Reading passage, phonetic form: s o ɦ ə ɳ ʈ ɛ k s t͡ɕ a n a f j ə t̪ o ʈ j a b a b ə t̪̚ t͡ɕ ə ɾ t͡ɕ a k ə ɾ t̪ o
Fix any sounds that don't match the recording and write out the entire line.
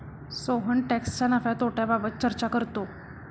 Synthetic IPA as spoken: s o ɦ ə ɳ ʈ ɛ k s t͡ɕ a n a f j a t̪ o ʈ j a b a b ə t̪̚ t͡ɕ ə ɾ t͡ɕ a k ə ɾ t̪ o

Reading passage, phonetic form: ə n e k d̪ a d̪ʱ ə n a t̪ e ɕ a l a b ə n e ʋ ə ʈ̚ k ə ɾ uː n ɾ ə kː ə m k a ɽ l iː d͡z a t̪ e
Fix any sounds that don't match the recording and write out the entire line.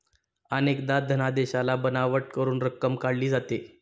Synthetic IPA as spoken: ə n e k d̪ a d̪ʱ ə n a d̪ e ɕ a l a b ə n a ʋ ə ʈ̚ k ə ɾ uː n ɾ ə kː ə m k a ɽ l iː d͡z a t̪ e

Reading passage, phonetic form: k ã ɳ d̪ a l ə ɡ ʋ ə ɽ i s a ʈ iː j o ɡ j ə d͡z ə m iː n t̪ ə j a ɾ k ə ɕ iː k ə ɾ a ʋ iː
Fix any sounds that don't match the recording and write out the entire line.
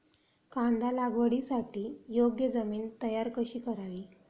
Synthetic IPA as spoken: k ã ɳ d̪ a l a ɡ ʋ ə ɽ i s a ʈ iː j o ɡ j ə d͡z ə m iː n t̪ ə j a ɾ k ə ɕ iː k ə ɾ a ʋ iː

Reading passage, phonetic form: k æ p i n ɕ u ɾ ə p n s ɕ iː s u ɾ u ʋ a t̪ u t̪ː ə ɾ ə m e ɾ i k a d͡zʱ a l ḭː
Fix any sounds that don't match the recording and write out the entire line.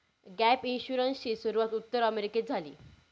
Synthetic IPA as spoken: ɡ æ p i n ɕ u ɾ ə n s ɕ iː s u ɾ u ʋ a t̪ u t̪ː ə ɾ ə m e ɾ i k e d͡zʱ a l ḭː

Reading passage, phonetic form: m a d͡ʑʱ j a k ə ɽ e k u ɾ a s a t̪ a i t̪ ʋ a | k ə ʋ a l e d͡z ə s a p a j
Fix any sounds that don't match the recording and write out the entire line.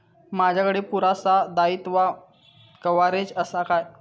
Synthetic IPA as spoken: m a d͡ʑʱ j a k ə ɽ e p u ɾ a s a d̪ a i t̪ ʋ a | k ə ʋ a ɾ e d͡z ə s a k a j

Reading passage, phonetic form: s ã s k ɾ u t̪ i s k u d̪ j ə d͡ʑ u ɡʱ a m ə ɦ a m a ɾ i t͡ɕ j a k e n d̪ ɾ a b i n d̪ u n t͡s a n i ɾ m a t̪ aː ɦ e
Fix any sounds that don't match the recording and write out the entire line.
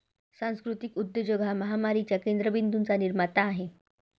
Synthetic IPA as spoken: s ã s k ɾ u t̪ i k u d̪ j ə d͡ʑ o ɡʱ a m ə ɦ a m a ɾ i t͡ɕ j a k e n d̪ ɾ ə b i n d̪ u n t͡s a n i ɾ m a t̪ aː ɦ e

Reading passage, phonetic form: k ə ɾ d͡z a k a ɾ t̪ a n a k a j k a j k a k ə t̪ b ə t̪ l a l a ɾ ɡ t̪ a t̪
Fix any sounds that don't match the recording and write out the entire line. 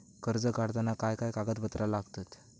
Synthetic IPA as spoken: k ə ɾ d͡z ə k a ɽ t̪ a n a k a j k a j k a ɡ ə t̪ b ə t̪ ɾ a l a ɡ t̪ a t̪

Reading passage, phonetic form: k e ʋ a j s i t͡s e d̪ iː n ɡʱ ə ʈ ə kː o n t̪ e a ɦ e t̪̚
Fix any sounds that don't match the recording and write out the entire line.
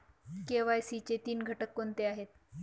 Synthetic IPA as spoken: k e ʋ a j s i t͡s e t̪ iː n ɡʱ ə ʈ ə kː o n t̪ e a ɦ e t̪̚

